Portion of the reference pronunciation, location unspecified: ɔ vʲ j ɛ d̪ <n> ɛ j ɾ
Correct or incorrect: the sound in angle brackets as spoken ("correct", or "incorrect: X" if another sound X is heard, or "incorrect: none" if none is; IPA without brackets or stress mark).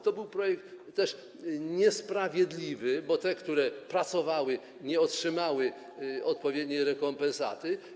incorrect: ɲ